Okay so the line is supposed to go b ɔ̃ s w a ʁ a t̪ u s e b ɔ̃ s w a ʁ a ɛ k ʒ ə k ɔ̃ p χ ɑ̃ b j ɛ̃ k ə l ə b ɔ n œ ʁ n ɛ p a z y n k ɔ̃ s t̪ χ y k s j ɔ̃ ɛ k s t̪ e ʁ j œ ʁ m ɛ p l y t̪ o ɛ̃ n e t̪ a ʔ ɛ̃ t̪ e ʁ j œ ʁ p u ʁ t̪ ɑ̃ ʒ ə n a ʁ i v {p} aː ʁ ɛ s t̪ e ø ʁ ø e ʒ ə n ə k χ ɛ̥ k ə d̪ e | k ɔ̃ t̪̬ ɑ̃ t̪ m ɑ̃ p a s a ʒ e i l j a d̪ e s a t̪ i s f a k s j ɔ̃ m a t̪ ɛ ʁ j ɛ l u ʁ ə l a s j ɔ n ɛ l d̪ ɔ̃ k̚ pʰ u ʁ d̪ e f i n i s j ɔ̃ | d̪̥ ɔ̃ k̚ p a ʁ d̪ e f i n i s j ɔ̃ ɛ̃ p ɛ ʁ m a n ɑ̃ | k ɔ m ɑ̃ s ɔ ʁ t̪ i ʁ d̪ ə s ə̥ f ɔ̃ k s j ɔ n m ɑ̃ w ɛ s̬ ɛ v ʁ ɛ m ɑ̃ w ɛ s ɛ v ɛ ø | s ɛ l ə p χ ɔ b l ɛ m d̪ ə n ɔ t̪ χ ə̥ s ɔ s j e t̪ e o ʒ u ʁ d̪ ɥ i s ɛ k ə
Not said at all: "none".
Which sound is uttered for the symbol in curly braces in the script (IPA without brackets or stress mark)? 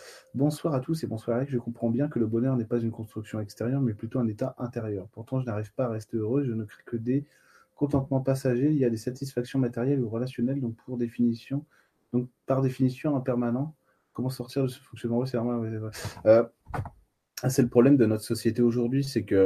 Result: p